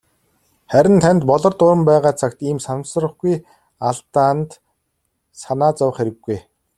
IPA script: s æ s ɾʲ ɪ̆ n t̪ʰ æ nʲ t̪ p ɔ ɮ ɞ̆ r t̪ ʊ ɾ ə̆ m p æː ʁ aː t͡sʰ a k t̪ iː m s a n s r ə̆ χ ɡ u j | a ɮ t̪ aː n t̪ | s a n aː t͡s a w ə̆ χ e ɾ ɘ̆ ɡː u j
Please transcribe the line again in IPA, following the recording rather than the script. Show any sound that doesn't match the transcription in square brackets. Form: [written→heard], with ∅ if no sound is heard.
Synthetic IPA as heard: [s→χ] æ [s→∅] ɾʲ ɪ̆ n t̪ʰ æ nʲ t̪ p ɔ ɮ ɞ̆ r t̪ ʊ ɾ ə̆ m p æː ʁ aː t͡sʰ a k t̪ iː m s a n s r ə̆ χ ɡ u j | a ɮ t̪ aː n t̪ | s a n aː t͡s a w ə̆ χ e ɾ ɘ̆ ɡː u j